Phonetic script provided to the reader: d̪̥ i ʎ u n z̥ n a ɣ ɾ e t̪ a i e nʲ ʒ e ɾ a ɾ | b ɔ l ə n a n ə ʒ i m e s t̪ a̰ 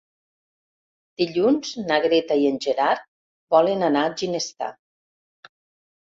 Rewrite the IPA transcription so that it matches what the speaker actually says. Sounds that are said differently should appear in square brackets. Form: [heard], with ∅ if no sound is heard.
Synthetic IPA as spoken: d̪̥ i ʎ u n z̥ n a ɣ ɾ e t̪ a i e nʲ ʒ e ɾ a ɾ | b ɔ l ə n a n [a] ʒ i [n] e s t̪ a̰